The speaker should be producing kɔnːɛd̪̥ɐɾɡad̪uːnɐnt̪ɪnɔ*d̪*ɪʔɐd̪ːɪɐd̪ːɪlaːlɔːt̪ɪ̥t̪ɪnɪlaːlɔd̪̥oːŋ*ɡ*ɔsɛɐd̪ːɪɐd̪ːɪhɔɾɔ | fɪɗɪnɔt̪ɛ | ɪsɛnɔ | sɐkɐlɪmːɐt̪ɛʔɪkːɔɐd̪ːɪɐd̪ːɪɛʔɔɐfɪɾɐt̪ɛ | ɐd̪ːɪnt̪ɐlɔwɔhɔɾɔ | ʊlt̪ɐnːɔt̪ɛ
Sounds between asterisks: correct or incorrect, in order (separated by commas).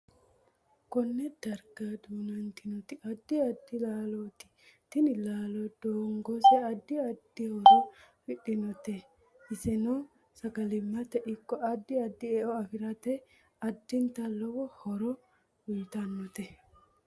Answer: incorrect, correct